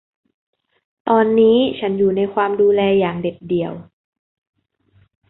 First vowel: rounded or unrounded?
rounded